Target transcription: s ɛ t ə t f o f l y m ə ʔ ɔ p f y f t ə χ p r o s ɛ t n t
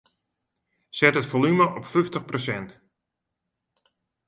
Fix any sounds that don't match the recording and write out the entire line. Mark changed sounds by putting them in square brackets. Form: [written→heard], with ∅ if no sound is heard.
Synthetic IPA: s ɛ t ə t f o [f→∅] l y m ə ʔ ɔ p f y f t ə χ p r o s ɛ [t→∅] n t